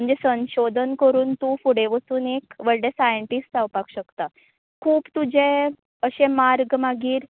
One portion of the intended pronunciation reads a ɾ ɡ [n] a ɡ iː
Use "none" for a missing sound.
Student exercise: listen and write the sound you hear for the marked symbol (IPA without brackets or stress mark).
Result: m